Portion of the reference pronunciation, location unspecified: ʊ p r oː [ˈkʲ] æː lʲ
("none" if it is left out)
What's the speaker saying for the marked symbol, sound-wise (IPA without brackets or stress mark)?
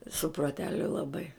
tʲ